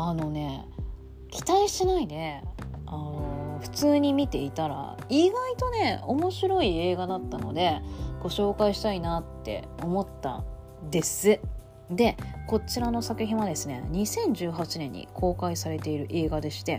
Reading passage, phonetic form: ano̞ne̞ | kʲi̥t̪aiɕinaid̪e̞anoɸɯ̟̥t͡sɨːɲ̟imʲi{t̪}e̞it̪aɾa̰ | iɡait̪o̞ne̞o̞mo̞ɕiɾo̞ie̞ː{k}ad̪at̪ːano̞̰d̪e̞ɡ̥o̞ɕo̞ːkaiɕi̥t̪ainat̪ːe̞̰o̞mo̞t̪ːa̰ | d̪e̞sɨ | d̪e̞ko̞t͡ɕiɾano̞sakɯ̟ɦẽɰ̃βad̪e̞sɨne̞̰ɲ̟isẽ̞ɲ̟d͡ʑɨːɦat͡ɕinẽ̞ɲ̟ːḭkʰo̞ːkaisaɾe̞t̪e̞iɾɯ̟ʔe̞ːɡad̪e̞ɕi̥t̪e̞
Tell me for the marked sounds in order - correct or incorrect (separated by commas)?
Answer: correct, incorrect